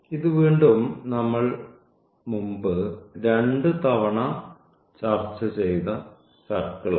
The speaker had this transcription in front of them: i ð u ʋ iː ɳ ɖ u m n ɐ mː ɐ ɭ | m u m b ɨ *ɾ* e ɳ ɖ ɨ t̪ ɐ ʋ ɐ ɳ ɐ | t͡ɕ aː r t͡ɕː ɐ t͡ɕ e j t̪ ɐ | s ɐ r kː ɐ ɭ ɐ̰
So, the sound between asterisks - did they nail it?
yes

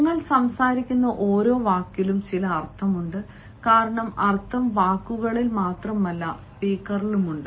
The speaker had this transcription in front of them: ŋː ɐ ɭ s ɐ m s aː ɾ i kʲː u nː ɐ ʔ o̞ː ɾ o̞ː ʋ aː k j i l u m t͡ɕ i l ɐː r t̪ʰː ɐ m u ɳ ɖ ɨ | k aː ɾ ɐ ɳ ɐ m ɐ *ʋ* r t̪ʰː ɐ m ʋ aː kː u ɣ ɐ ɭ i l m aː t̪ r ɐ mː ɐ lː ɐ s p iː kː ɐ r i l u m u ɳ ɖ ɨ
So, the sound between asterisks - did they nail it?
no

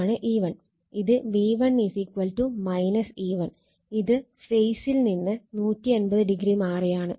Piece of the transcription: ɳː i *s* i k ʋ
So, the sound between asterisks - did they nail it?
yes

